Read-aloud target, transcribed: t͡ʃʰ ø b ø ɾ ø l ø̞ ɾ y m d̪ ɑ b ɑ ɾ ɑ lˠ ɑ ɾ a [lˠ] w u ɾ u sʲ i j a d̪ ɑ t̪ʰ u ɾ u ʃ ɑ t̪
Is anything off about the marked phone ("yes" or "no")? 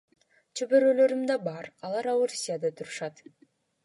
yes